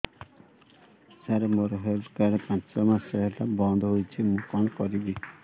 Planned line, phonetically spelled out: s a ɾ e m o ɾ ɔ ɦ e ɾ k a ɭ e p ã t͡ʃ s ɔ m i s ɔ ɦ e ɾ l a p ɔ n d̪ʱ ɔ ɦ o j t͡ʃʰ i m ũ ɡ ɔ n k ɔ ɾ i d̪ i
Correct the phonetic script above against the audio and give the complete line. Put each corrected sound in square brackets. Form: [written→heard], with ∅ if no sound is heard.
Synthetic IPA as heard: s a ɾ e m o ɾ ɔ ɦ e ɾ k a [ɭ→ɾ] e p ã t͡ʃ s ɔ m [i→a] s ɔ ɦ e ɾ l a [p→b] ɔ n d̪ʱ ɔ ɦ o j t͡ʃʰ i m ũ [ɡ→k] ɔ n k ɔ ɾ i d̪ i